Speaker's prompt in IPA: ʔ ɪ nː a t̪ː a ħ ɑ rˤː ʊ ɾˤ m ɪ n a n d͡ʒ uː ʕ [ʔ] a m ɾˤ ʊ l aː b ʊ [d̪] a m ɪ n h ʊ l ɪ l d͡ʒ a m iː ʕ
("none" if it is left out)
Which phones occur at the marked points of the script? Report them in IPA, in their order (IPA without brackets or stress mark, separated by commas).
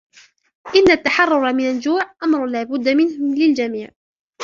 ʔ, d̪ː